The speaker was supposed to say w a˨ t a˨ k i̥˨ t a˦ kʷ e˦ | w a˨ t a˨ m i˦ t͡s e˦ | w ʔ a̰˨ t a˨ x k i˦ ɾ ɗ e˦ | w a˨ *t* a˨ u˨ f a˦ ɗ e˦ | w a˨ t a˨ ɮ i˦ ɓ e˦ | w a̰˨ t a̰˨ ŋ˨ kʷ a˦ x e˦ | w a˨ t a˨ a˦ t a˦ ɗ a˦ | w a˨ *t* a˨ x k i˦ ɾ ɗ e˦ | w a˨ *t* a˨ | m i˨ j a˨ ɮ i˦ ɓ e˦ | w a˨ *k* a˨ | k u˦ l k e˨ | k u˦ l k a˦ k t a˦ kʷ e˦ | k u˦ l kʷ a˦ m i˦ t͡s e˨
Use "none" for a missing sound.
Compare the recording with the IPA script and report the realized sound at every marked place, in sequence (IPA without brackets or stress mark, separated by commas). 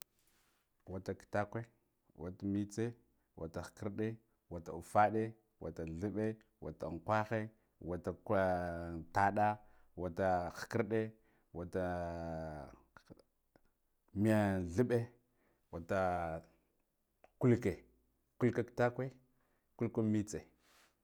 t, t, t, t